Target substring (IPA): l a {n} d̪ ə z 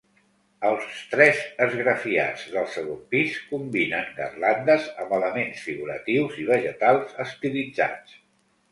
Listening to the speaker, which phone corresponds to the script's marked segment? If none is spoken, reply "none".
n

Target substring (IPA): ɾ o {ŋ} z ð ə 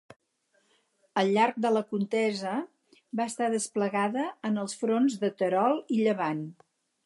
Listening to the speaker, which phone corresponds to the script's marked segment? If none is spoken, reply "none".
n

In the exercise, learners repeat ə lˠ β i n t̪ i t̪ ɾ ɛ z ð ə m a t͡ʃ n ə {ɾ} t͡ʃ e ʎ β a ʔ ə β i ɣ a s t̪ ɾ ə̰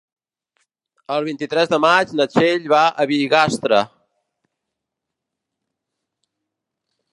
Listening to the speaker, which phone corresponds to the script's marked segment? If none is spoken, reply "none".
none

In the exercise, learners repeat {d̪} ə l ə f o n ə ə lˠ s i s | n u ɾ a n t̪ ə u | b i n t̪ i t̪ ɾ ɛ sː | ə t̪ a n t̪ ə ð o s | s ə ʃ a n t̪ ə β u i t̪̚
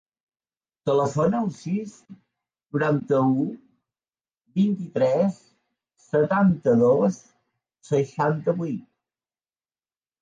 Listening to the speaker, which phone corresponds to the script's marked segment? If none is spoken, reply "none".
t̪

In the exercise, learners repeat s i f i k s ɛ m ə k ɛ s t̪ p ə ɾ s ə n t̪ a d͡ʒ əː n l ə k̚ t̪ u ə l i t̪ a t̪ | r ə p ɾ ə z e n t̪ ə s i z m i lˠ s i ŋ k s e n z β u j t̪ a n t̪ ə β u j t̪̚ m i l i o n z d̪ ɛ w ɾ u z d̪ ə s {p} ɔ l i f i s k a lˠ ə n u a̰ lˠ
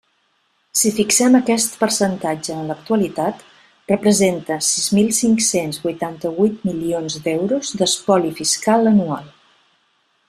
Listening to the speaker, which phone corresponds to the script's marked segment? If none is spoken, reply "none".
p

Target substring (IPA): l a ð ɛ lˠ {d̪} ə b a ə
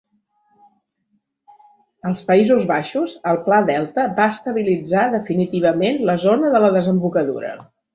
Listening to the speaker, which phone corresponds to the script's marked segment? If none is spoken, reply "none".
t̪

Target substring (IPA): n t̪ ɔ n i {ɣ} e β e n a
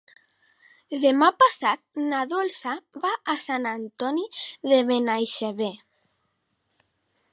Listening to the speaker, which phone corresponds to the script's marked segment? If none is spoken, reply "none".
ð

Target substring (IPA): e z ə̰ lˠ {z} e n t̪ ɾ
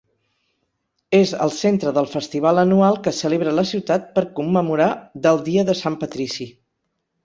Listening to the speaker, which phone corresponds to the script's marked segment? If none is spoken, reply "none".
s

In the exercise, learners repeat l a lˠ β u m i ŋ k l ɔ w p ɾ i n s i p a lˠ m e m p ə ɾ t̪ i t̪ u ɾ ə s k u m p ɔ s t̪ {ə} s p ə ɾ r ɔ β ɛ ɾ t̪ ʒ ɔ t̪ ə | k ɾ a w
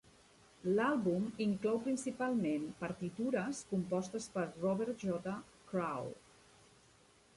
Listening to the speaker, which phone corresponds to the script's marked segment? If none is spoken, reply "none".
ə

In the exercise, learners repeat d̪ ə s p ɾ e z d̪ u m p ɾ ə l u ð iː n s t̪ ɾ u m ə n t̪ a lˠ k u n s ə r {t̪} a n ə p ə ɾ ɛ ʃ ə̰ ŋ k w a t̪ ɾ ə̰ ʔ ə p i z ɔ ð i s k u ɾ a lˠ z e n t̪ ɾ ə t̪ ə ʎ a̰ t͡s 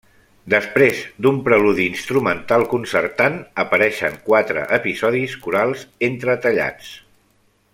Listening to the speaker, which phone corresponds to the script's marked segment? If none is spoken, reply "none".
t̪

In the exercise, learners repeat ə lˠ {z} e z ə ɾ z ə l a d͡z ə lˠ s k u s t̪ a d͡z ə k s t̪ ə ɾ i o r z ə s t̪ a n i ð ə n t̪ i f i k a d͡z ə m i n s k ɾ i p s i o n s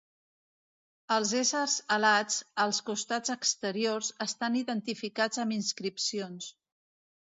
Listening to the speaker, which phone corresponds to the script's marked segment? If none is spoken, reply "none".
z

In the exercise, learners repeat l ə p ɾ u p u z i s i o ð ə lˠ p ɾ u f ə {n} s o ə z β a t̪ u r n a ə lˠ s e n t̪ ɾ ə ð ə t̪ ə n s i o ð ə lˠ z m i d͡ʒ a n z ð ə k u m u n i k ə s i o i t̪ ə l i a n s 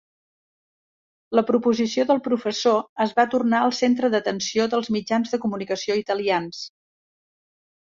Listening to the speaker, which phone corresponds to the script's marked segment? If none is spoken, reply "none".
none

